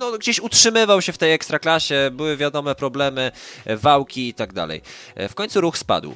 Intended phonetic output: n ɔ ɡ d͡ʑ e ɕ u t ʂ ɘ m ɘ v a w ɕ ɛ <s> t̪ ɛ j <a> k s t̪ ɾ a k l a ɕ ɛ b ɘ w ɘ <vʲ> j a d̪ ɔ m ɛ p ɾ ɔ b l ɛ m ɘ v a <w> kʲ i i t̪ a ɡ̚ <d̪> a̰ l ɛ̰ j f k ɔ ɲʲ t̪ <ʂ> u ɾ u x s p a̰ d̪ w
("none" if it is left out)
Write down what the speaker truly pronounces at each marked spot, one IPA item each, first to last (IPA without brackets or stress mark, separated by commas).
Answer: f, ɛ, vʲ, w, d̪, s